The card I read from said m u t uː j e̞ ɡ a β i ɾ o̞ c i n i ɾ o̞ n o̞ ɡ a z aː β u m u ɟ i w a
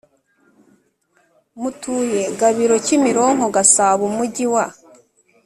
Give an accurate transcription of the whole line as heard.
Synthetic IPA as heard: m u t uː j e̞ ɡ a β i ɾ o̞ c i m i ɾ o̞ ŋ o̞ ɡ a s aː β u m u ɟ i w a